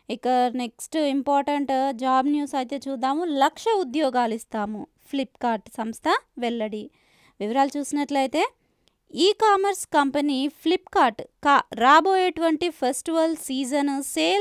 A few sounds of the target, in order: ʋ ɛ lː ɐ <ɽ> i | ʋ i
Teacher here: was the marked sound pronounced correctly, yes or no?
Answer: yes